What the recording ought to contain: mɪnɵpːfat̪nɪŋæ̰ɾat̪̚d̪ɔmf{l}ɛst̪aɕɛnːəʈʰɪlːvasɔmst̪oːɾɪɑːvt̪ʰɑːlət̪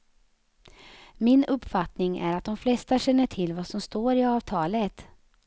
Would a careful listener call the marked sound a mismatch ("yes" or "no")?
no